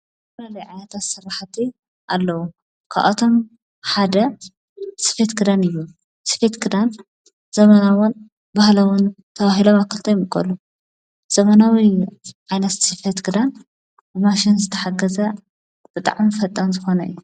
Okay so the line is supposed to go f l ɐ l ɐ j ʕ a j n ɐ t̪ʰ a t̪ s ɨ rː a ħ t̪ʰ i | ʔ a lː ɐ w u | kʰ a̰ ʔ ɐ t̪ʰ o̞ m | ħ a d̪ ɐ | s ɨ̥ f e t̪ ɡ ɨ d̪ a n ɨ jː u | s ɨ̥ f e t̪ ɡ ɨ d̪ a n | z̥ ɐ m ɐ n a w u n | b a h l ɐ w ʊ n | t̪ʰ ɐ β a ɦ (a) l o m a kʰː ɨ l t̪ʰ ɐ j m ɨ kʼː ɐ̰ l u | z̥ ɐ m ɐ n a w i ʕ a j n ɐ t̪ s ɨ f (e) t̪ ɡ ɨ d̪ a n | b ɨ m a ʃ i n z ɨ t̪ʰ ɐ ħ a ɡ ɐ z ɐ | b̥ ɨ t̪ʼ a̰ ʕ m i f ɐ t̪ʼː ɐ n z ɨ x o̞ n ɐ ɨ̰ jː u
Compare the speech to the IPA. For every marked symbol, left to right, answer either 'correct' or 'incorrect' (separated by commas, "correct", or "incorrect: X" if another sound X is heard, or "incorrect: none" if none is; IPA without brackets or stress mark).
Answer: incorrect: i, correct